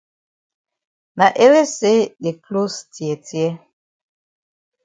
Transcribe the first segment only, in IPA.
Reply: n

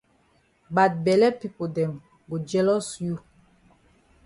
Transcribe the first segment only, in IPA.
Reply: b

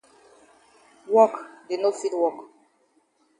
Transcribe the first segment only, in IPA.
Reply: w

